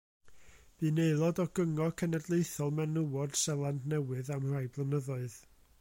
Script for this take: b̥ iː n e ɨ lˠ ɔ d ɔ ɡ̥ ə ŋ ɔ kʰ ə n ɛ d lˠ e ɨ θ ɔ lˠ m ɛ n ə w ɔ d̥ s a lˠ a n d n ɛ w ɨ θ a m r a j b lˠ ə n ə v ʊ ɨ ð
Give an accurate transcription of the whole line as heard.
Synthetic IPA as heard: b̥ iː n e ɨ lˠ ɔ d ɔ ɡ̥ ə ŋ ɔ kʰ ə n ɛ d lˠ e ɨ θ ɔ lˠ m ɛ n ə w ɔ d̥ s ɛ lˠ a n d n ɛ w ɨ ð a m r a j b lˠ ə n ə ð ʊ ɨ ð